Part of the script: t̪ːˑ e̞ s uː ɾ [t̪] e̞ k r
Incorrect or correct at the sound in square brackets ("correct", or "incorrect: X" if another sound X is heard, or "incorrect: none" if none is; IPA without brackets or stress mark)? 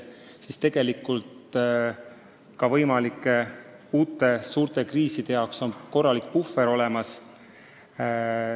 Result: correct